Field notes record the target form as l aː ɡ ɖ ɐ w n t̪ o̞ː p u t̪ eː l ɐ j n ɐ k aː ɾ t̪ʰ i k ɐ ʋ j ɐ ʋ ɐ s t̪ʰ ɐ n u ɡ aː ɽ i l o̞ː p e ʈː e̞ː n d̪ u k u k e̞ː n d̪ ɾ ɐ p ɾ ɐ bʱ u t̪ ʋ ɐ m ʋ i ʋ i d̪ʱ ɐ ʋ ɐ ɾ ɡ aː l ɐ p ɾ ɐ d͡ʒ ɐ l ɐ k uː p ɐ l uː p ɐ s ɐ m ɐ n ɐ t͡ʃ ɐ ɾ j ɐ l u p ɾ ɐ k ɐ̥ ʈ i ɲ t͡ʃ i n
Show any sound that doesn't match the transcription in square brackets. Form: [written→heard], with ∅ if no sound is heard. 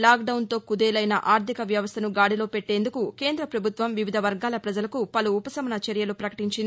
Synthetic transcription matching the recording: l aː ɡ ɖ ɐ w n t̪ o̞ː [p→k] u [t̪→d̪] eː l ɐ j n ɐ [k→ʔ] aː ɾ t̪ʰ i k ɐ ʋ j ɐ ʋ ɐ s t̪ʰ ɐ n u ɡ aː ɽ i l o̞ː p e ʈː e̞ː n d̪ u k u k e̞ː n d̪ ɾ ɐ p ɾ ɐ bʱ u t̪ ʋ ɐ m ʋ i ʋ i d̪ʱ ɐ ʋ ɐ ɾ ɡ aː l ɐ p ɾ ɐ d͡ʒ ɐ l ɐ k [uː→u] p ɐ l uː p ɐ s ɐ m ɐ n ɐ t͡ʃ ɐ ɾ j ɐ l u p ɾ ɐ k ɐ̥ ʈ i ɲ t͡ʃ i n